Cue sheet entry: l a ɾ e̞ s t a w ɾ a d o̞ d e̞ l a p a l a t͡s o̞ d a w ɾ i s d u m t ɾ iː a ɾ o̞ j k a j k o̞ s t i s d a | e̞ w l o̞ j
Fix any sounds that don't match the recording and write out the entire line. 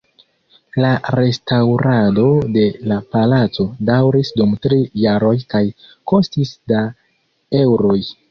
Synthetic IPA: l a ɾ e̞ s t a w ɾ a d o̞ d e̞ l a p a l a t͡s o̞ d a w ɾ i s d u m t ɾ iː a ɾ o̞ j k a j k o̞ s t i s d a | e̞ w ɾ o̞ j